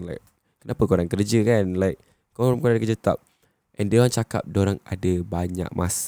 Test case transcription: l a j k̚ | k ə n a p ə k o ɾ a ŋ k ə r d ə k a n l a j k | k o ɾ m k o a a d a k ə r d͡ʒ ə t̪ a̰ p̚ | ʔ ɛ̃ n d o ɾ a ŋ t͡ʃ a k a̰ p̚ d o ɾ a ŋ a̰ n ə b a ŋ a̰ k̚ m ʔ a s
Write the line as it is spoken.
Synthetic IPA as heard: l a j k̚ | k ə n a p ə k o ɾ a ŋ k ə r d͡ʒ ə k a n l a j k | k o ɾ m k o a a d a k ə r d͡ʒ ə t̪ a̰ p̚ | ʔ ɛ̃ n d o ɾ a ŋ t͡ʃ a k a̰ p̚ d o ɾ a ŋ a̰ d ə b a ɲ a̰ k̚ m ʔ a s